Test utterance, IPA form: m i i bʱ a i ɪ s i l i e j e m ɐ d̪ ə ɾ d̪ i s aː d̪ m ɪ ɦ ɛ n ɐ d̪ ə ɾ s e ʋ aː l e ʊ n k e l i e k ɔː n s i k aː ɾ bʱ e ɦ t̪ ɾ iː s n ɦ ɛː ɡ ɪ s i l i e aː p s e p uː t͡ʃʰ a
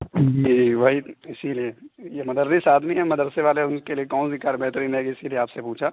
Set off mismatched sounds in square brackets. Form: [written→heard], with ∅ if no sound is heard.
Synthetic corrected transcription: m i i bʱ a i ɪ s i l i e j e m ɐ d̪ ə ɾ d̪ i s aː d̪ m [ɪ→i] ɦ ɛ [n→m] ɐ d̪ ə ɾ s e ʋ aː l e ʊ n k e l i e k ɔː n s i k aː ɾ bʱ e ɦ t̪ ɾ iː [s→∅] n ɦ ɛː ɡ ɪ s i l i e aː p s e p uː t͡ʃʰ a